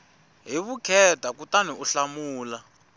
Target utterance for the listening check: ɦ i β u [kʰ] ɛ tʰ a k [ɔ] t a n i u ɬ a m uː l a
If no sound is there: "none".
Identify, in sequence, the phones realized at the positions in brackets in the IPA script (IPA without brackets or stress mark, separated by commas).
kʰ, u